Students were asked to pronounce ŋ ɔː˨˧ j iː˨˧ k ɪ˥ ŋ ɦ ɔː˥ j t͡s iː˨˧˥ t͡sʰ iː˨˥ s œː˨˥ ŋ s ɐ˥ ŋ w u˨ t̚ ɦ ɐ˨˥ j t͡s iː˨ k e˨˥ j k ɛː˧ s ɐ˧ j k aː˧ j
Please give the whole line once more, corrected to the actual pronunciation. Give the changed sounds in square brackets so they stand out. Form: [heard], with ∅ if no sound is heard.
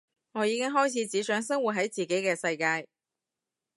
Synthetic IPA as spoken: ŋ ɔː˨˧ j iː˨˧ k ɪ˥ ŋ ɦ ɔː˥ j [t͡sʰ] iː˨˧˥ [t͡s] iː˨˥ s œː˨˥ ŋ s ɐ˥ ŋ w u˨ t̚ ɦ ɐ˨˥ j t͡s iː˨ k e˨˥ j k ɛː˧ s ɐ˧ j k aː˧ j